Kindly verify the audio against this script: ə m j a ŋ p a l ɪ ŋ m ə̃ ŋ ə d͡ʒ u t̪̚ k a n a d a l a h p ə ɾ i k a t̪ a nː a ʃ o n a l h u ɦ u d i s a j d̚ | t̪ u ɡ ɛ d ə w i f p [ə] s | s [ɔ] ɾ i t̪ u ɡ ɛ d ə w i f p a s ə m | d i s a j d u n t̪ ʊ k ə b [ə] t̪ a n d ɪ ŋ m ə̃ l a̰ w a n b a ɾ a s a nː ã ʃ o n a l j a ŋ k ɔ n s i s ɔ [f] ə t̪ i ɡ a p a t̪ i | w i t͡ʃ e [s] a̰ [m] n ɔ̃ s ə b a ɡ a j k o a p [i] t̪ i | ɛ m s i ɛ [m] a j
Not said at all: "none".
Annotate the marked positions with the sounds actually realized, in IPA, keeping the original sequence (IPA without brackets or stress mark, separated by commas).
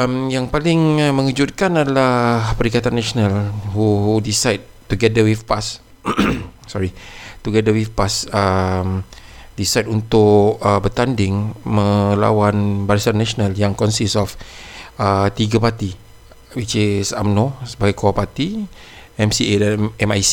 a, ɔ, ə, f, s, m, a, m